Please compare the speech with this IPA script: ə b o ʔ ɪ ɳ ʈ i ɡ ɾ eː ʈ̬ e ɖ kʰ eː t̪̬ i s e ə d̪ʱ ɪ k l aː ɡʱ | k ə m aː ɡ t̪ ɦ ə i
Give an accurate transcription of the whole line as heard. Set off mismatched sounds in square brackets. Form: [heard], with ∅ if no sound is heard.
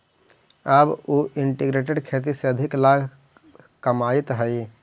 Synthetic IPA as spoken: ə b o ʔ ɪ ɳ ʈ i ɡ ɾ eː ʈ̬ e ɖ kʰ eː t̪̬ i s e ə d̪ʱ ɪ k l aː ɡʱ | k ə m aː [∅] t̪ ɦ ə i